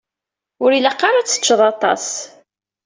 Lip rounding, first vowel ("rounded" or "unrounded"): rounded